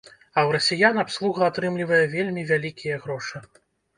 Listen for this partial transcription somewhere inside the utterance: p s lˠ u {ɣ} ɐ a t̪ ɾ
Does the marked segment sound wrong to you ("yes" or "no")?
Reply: no